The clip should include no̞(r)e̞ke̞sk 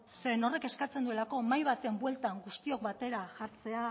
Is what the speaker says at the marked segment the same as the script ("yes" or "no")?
yes